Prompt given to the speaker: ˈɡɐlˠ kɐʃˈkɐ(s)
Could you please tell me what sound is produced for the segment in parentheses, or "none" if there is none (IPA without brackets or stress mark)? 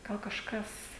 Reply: s